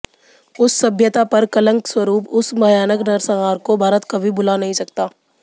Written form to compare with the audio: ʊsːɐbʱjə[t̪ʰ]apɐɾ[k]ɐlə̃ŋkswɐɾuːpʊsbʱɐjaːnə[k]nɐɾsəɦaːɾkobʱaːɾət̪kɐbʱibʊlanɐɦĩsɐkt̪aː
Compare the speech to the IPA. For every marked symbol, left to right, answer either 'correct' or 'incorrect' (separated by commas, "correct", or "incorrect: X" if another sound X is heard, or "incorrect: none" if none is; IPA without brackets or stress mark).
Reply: incorrect: t̪, correct, correct